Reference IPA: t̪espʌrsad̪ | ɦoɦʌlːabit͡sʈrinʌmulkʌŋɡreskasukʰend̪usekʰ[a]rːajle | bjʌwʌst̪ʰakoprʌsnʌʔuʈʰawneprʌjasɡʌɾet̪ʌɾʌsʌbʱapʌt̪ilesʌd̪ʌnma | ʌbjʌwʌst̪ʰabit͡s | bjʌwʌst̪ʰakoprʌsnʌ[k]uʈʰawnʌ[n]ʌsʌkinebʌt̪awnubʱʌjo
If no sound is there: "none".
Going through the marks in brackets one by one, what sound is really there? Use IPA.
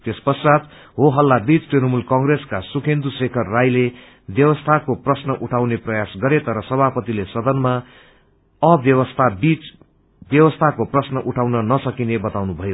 ʌ, ʔ, n

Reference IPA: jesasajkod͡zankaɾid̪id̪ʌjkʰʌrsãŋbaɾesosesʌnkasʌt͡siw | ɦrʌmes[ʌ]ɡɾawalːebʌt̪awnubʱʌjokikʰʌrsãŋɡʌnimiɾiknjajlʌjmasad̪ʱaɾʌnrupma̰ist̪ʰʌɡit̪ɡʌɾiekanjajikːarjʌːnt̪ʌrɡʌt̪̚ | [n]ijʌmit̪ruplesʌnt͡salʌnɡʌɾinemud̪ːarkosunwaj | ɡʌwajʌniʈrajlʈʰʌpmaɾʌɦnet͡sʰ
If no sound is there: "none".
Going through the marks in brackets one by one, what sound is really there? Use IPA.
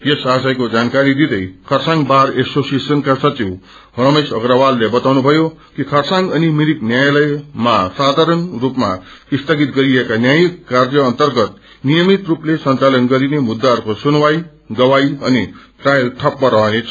ʌ, n

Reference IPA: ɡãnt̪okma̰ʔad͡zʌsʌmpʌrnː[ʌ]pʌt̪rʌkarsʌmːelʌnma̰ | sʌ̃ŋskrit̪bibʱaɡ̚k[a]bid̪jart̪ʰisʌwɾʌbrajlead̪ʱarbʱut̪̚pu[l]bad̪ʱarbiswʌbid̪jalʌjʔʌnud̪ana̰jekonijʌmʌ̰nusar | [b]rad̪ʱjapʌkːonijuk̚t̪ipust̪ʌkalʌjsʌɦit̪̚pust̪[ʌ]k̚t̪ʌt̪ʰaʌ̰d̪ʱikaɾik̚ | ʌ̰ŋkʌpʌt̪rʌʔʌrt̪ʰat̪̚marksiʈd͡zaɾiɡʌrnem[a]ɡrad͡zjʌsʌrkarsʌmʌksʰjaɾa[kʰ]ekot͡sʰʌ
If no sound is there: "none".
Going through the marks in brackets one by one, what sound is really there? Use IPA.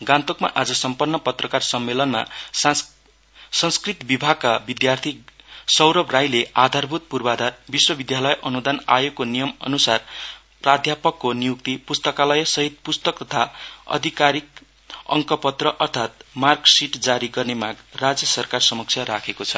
ʌ, a, r, p, ʌ, a, kʰ

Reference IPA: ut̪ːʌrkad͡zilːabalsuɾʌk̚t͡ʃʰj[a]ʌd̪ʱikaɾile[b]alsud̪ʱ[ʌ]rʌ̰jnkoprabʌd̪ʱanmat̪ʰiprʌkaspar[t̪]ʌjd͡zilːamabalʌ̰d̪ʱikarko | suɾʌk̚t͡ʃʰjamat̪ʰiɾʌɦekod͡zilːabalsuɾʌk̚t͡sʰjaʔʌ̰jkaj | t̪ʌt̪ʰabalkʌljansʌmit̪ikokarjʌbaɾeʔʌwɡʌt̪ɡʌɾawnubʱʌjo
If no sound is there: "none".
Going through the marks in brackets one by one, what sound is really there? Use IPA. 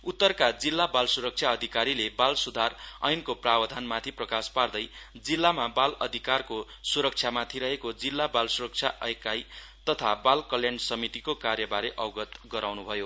a, b, a, d̪

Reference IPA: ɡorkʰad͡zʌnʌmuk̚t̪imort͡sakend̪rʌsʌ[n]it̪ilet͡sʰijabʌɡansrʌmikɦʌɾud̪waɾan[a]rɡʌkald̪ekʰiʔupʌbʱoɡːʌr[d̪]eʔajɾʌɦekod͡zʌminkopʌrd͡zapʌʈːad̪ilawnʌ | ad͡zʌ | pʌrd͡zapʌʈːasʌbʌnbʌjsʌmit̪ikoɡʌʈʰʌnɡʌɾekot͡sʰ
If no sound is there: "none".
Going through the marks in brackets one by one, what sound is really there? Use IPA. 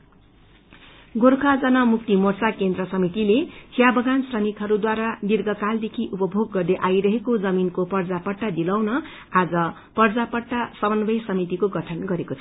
m, i, d̪

